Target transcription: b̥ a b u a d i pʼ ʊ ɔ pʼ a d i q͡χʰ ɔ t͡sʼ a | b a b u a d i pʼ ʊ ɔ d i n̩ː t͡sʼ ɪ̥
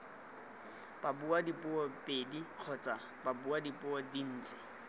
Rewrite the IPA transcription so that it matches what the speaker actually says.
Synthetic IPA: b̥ a b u a d i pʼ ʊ ɔ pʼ e d i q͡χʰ ɔ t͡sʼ a | b a b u a d i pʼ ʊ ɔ d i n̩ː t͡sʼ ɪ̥

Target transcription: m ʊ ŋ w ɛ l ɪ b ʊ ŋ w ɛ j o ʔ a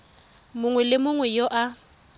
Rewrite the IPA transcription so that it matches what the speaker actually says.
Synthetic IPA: m ʊ ŋ w ɛ l ɪ m ʊ ŋ w ɛ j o ʔ a

